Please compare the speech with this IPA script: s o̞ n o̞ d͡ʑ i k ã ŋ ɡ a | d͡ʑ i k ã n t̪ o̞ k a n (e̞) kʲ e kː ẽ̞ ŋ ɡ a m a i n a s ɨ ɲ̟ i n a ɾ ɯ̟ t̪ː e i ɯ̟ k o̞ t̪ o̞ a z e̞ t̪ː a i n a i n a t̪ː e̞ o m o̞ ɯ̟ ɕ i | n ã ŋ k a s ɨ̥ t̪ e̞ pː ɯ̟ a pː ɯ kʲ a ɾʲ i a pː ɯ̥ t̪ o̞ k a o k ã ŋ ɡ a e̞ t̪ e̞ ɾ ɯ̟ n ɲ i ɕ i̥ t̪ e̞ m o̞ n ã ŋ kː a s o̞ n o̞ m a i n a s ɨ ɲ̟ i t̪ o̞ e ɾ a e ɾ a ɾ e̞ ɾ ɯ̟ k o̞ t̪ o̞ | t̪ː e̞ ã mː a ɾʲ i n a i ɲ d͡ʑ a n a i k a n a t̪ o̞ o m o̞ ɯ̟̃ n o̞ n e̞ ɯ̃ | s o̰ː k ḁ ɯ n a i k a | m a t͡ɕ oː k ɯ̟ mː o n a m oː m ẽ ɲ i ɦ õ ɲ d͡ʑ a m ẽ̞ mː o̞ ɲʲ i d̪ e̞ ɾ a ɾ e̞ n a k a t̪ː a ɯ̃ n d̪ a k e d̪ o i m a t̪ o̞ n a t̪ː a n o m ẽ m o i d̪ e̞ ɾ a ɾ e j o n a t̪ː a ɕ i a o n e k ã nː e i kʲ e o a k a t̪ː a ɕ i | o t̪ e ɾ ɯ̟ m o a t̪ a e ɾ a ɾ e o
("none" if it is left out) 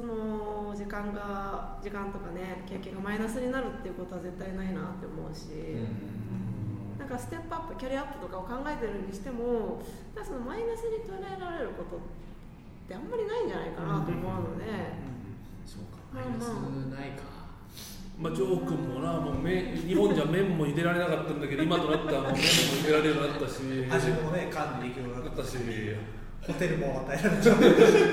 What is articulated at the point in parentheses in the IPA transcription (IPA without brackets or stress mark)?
e̞